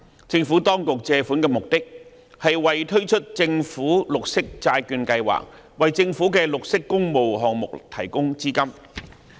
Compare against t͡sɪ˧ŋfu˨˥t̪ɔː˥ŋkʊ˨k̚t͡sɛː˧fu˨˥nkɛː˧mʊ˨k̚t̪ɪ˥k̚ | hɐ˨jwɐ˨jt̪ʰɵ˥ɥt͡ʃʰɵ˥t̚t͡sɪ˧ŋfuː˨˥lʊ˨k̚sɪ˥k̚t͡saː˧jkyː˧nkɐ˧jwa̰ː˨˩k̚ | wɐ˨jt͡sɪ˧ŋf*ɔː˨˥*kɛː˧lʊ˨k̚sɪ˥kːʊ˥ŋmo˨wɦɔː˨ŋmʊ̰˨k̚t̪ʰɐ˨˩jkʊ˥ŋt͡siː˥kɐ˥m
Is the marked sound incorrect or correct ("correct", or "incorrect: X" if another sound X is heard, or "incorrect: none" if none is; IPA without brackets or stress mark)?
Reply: incorrect: uː˨˥